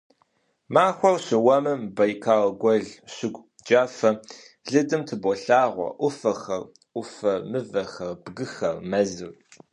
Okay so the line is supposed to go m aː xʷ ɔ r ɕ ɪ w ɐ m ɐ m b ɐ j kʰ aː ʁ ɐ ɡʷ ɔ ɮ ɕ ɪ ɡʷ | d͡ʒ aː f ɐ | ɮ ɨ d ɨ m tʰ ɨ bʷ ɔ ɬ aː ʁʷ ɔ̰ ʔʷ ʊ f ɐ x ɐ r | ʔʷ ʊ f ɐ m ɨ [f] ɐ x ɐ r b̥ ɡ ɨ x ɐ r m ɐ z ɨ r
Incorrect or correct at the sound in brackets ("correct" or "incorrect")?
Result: incorrect